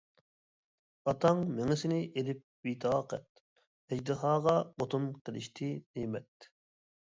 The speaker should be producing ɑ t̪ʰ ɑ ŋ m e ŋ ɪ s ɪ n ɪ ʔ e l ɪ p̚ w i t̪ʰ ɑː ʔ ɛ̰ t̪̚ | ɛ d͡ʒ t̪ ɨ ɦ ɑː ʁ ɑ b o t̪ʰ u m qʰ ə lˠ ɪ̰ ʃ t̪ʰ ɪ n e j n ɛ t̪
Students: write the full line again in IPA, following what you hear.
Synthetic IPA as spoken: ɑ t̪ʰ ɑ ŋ m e ŋ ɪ s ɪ n ɪ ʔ e l ɪ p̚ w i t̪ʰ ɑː q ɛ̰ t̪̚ | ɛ d͡ʒ d̪ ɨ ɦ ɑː ʁ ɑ b o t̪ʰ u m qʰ ə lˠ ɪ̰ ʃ t̪ʰ ɪ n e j m ɛ t̪